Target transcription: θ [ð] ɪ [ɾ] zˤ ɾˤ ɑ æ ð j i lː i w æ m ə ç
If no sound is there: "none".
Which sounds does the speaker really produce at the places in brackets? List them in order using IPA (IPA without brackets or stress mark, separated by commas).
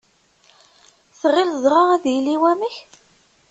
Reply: ʁ, l